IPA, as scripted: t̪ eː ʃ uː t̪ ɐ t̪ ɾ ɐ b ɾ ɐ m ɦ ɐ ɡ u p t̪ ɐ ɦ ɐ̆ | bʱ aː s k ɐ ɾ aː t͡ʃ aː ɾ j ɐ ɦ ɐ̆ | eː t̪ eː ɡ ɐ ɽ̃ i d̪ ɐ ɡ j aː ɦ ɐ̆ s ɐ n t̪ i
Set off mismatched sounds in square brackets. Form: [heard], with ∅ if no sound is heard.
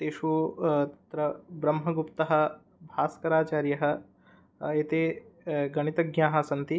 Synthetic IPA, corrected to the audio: t̪ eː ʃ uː t̪ ɐ t̪ ɾ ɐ b ɾ ɐ m ɦ ɐ ɡ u p t̪ ɐ ɦ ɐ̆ | bʱ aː s k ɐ ɾ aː t͡ʃ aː ɾ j ɐ ɦ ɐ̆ | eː t̪ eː ɡ ɐ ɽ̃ i [t̪] ɐ ɡ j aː ɦ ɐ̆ s ɐ n t̪ i